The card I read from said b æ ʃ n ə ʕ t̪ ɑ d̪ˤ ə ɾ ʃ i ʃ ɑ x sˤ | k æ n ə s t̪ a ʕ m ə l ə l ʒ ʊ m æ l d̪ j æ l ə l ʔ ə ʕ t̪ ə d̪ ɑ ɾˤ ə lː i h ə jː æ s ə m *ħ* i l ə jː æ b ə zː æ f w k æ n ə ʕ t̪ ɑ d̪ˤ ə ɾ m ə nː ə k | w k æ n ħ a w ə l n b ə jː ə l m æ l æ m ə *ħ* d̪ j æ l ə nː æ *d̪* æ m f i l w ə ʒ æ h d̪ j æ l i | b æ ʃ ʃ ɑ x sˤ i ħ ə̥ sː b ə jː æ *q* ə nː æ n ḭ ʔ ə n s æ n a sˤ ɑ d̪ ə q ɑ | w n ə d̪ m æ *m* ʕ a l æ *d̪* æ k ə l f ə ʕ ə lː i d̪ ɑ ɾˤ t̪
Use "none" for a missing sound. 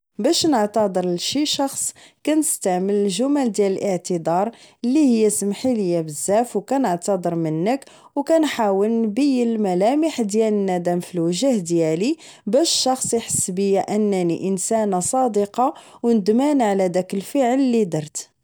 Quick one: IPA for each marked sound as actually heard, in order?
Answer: ħ, ħ, d̪, ʔ, n, d̪

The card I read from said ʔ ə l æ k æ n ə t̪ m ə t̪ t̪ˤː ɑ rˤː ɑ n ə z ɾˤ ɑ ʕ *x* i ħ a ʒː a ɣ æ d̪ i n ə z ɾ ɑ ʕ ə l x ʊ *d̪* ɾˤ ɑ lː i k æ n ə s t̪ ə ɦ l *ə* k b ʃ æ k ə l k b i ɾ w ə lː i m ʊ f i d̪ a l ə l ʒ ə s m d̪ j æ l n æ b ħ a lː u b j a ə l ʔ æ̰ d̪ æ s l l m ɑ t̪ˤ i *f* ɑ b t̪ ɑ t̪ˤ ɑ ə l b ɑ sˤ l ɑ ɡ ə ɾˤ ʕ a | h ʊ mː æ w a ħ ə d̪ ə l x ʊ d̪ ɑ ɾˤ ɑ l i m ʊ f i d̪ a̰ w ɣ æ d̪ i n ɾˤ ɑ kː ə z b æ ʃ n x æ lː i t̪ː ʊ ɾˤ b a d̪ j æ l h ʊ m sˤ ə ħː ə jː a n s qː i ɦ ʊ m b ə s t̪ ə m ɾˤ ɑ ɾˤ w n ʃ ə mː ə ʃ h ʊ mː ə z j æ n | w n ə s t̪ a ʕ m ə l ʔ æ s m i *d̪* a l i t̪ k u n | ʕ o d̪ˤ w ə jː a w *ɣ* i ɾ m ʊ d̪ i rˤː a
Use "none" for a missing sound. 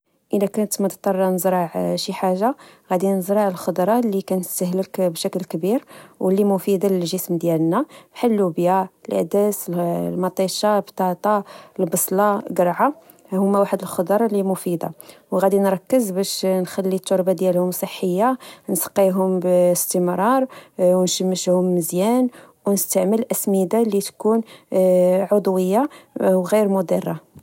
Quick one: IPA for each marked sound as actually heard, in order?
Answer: ʃ, d̪, ə, ʃ, d̪, ɣ

